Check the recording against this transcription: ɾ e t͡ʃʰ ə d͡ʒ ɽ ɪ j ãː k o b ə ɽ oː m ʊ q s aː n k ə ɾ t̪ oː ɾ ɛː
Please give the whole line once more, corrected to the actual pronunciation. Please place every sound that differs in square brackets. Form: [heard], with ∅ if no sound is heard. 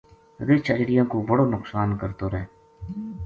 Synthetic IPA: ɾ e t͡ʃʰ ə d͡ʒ ɽ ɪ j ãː k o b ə ɽ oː [n] ʊ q s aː n k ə ɾ t̪ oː ɾ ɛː